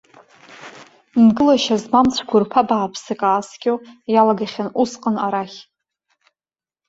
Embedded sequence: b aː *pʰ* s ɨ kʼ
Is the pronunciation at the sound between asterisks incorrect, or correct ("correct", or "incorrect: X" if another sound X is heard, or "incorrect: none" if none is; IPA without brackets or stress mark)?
correct